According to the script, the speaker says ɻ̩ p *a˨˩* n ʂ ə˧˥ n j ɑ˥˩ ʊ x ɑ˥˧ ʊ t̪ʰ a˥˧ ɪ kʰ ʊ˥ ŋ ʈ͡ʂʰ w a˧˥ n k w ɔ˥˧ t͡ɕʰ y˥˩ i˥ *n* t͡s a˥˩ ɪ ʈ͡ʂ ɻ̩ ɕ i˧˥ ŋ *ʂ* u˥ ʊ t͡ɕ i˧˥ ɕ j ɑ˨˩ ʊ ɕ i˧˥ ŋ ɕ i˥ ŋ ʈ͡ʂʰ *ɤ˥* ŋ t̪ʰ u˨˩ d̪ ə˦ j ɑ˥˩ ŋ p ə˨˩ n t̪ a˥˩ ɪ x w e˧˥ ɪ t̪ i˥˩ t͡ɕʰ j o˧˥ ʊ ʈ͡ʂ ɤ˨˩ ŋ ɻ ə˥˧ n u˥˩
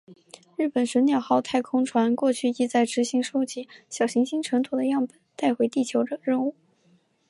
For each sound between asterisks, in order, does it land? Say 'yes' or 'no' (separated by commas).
no, no, yes, no